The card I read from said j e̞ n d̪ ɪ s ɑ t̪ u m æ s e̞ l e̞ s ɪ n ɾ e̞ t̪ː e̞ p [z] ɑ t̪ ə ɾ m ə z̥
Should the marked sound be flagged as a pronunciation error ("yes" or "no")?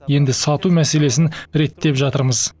yes